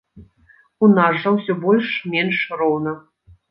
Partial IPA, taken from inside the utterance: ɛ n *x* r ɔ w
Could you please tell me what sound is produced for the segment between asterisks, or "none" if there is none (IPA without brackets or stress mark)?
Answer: ʂ